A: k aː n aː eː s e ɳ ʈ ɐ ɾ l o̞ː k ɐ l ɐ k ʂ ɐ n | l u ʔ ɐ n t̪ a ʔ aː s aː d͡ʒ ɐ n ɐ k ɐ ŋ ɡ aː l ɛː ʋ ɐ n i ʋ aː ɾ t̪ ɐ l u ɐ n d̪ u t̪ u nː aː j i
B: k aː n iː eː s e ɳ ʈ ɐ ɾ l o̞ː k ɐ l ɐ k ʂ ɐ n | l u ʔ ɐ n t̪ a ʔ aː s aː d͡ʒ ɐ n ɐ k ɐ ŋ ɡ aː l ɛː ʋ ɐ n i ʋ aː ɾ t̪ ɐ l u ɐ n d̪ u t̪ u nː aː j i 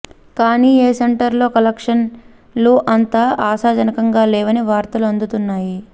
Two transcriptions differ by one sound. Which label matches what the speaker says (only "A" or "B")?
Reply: B